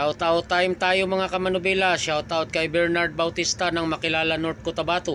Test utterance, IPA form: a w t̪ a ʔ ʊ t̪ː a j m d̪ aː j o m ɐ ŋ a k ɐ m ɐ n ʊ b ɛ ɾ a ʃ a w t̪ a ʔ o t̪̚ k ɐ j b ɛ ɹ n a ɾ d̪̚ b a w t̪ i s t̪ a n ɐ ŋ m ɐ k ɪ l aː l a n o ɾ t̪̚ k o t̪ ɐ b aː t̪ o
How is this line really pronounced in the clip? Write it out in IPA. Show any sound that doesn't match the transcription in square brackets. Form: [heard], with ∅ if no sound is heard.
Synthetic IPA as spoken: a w t̪ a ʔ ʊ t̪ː a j m [t̪] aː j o m ɐ ŋ a k ɐ m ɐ n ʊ b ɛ [l] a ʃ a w t̪ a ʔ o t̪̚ k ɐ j b ɛ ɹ n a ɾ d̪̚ b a w t̪ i s t̪ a n ɐ ŋ m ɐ k ɪ l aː l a n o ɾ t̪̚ k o t̪ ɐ b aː t̪ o